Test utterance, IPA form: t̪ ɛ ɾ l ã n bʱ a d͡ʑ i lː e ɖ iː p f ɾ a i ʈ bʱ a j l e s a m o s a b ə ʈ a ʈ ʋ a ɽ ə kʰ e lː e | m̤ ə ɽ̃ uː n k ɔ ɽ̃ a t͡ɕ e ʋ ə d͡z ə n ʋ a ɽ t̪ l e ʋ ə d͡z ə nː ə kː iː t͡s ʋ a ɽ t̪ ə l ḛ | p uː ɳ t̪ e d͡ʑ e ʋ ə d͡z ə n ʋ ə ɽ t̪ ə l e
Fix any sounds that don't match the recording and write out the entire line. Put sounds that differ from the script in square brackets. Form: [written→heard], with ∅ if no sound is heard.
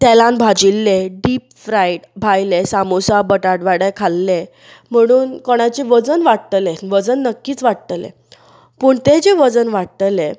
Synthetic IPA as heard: t̪ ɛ [ɾ→∅] l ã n bʱ a d͡ʑ i lː e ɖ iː p f ɾ a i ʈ bʱ a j l e s a m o s a b ə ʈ a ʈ ʋ a ɽ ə kʰ [e→a] lː e | m̤ ə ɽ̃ uː n k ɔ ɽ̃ a t͡ɕ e ʋ ə d͡z ə n ʋ a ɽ t̪ l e ʋ ə d͡z ə nː ə kː iː t͡s ʋ a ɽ t̪ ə l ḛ | p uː ɳ t̪ e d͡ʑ e ʋ ə d͡z ə n ʋ [ə→a] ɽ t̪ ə l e

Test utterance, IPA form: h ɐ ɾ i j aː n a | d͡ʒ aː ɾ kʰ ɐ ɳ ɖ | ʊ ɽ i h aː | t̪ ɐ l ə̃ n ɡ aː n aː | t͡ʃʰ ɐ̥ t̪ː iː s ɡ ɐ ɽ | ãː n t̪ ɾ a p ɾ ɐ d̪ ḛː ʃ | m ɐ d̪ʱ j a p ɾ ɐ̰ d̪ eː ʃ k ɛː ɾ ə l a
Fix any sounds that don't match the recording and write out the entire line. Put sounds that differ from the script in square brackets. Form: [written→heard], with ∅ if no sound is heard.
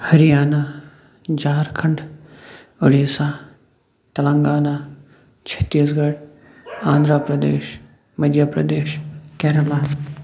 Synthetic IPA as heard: h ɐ ɾ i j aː n a | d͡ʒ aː ɾ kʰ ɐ ɳ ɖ | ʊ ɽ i [h→s] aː | t̪ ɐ l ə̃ [n→ŋ] ɡ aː n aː | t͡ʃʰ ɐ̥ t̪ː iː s ɡ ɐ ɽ | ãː n [t̪→d̪] ɾ a p ɾ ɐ d̪ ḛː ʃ | m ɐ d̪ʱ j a p ɾ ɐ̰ d̪ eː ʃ k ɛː ɾ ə l a

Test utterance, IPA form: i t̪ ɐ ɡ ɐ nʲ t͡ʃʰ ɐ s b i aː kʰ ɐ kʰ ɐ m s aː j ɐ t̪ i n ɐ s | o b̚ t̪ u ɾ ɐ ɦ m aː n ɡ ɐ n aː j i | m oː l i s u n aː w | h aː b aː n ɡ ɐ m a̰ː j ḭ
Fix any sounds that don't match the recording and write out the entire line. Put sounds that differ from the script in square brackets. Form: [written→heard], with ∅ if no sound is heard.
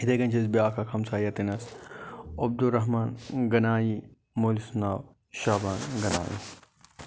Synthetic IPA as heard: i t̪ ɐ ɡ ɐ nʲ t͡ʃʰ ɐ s b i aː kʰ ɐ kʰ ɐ m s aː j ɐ t̪ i n ɐ s | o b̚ [t̪→d̪] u ɾ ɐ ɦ m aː n ɡ ɐ n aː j i | m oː l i s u n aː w | [h→ʃ] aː b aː n ɡ ɐ [m→n] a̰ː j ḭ

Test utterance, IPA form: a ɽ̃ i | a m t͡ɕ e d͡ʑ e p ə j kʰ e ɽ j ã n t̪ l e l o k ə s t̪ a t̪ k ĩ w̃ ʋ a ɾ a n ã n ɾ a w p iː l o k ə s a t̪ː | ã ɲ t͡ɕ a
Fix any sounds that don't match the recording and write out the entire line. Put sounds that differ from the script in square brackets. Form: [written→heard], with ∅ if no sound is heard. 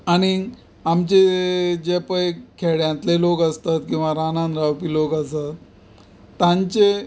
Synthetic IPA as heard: a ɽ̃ i | a m t͡ɕ e d͡ʑ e p ə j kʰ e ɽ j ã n t̪ l e l o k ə s t̪ a t̪ k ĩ w̃ ʋ a ɾ a n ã n ɾ a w p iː l o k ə s a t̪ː | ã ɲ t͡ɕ [a→e]

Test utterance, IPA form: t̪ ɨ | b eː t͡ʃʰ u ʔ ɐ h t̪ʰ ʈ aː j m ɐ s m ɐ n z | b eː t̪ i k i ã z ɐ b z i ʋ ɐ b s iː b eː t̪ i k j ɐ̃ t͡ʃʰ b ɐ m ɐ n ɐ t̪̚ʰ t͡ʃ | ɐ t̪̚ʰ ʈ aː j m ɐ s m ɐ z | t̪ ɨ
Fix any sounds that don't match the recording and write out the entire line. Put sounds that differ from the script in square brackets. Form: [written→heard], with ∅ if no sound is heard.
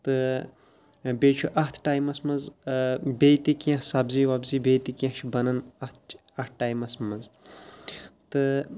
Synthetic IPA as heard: t̪ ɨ | b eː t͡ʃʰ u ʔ ɐ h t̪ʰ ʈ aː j m ɐ s m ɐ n z | b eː t̪ i k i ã [z→s] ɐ b z i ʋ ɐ b [s→z] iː b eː t̪ i k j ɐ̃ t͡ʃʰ b ɐ [m→n] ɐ n ɐ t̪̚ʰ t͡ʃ | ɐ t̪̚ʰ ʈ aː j m ɐ s m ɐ z | t̪ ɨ

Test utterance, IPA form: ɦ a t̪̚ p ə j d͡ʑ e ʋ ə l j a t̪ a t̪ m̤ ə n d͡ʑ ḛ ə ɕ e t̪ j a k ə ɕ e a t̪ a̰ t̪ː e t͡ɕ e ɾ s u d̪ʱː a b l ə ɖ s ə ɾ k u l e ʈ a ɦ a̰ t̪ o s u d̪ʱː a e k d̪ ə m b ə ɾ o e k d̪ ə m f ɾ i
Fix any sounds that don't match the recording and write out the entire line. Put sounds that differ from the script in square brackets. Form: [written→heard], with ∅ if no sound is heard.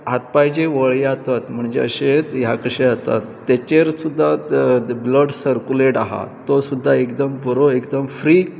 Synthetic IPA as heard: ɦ a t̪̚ p [ə→a] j d͡ʑ e ʋ ə [l→ɭ] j a t̪ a t̪ m̤ ə [n→ɳ] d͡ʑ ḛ ə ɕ e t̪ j a k ə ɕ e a t̪ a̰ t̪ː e t͡ɕ e ɾ s u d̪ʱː a b l ə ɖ s ə ɾ k u l e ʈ a ɦ a̰ t̪ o s u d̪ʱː a e k d̪ ə m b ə ɾ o e k d̪ ə m f ɾ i

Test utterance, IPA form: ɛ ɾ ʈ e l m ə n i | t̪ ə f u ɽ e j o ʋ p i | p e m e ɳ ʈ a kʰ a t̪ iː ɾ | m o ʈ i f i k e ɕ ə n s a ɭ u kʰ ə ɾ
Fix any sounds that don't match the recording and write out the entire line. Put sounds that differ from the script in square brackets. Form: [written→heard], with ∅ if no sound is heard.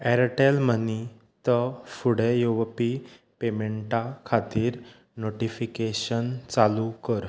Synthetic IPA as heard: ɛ ɾ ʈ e l m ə n i | t̪ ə f u ɽ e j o ʋ p i | p e m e ɳ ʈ a kʰ a t̪ iː ɾ | [m→n] o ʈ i f i k e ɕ ə n [s→t͡s] a [ɭ→l] u [kʰ→k] ə ɾ

